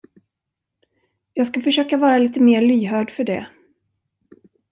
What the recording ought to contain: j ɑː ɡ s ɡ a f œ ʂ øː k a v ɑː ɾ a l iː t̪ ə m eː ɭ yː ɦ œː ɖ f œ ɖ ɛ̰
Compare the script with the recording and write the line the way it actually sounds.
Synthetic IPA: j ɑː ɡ s k a f œ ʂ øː k a v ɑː ɾ a l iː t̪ ə m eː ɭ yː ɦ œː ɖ f œ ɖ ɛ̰